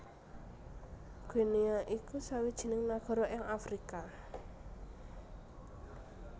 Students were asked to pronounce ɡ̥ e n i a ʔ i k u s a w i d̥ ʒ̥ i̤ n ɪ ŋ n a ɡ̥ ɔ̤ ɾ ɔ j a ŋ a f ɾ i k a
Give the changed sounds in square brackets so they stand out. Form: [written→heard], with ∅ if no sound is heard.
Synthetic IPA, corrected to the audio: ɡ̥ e n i a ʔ i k u s a w i d̥ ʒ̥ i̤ n ɪ ŋ n a ɡ̥ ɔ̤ ɾ ɔ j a ŋ a f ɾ i k a